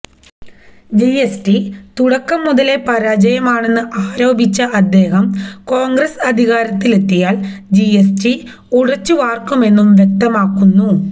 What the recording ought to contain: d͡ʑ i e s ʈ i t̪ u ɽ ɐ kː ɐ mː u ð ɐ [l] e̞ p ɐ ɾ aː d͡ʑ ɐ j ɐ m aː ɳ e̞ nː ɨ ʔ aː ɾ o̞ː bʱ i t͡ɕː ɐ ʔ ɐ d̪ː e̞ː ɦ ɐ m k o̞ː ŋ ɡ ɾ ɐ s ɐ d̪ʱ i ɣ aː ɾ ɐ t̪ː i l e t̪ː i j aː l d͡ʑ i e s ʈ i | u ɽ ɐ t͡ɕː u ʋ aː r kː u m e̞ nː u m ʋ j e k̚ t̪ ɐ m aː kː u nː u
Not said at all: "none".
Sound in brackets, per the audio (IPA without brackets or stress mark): l